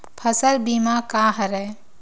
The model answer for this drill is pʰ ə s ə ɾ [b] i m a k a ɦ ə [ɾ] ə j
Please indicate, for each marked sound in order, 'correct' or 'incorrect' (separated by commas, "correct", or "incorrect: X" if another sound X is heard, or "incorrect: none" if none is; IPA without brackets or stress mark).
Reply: correct, correct